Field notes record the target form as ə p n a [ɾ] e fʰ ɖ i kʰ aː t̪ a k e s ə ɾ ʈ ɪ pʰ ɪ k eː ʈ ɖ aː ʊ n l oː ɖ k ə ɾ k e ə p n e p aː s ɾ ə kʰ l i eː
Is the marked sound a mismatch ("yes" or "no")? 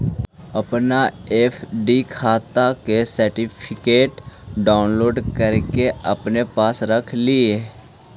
yes